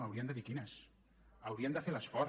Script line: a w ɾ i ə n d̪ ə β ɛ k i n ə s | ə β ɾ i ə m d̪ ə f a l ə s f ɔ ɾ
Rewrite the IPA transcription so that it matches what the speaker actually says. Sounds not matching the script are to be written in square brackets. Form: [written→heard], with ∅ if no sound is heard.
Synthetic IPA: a w ɾ i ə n d̪ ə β [ɛ→i] k i n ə s | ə [β→w] ɾ i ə [m→n] d̪ ə f [a→e] l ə s f ɔ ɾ